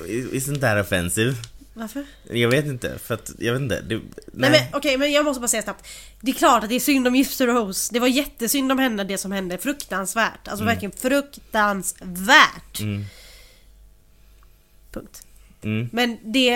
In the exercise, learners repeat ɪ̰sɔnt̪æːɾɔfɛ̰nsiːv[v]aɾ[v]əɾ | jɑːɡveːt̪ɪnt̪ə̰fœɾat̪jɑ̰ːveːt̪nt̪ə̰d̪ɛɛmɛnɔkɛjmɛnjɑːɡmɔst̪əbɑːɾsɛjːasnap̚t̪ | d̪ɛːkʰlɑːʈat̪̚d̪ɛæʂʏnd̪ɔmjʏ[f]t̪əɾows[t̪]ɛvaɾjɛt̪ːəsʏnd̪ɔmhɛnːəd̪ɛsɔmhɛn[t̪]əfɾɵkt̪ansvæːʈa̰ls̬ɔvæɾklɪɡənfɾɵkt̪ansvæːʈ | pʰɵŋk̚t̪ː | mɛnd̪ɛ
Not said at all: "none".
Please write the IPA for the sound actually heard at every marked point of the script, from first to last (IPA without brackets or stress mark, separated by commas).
v, f, f, d̪, d̪